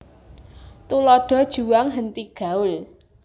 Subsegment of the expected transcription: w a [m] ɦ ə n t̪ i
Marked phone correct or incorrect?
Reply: incorrect